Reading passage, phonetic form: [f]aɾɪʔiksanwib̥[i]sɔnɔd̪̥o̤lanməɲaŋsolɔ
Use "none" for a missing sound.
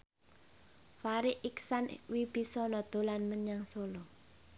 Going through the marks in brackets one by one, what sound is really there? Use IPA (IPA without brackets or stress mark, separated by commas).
f, i